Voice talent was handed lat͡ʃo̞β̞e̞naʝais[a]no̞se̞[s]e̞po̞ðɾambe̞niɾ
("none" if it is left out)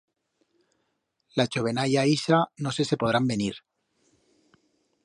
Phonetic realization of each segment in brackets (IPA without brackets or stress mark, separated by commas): a, s